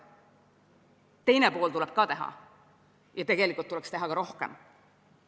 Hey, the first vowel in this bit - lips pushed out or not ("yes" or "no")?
no